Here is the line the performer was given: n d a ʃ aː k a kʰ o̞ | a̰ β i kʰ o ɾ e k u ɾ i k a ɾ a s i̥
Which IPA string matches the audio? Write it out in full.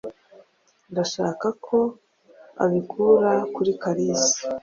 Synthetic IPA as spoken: n d a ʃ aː k a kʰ o̞ | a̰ β i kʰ u ɾ a k u ɾ i k a ɾ i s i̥